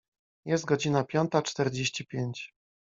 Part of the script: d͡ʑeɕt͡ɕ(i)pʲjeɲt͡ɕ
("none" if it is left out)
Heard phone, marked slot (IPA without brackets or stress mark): i